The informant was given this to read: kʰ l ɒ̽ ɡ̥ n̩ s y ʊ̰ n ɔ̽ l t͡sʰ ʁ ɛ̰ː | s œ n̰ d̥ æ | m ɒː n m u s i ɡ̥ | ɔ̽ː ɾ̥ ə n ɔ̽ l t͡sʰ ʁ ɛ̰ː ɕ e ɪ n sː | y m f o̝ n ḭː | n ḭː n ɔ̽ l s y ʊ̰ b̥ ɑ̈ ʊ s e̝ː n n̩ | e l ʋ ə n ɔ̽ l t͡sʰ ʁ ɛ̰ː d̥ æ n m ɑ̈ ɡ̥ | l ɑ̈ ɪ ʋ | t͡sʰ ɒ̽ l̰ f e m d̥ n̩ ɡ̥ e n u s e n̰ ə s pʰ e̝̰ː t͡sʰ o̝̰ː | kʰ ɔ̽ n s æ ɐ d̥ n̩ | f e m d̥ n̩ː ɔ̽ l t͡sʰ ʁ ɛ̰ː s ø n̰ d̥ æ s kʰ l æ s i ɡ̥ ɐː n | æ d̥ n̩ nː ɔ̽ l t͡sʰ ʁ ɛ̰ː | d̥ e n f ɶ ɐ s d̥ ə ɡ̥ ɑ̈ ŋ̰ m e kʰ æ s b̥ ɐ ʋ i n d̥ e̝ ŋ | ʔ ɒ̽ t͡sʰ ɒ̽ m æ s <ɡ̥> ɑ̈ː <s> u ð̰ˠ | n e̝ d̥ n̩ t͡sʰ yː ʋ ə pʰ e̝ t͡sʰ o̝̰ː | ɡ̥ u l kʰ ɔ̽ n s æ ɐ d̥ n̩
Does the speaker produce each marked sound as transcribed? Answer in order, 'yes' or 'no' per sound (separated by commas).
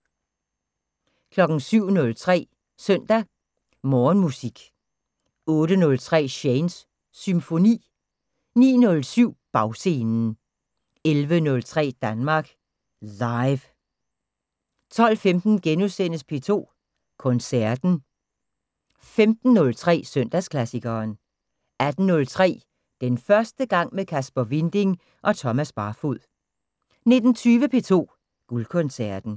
no, no